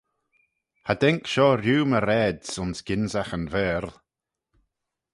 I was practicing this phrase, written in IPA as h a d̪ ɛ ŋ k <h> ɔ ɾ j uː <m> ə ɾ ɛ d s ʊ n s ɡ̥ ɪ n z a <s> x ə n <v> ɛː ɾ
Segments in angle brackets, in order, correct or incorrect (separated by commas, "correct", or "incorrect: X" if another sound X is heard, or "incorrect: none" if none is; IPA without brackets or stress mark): incorrect: ʃ, correct, incorrect: none, correct